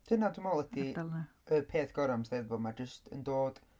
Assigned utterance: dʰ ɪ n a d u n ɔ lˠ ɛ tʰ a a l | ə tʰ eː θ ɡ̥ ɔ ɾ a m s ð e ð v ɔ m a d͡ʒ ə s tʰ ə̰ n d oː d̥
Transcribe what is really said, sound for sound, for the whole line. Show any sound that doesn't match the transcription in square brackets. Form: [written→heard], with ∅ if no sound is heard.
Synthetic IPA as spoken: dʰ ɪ n a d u [n→m] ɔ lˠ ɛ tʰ [a→i] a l | ə [tʰ→pʰ] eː θ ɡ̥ ɔ ɾ a m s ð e ð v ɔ m a d͡ʒ ə s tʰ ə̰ n d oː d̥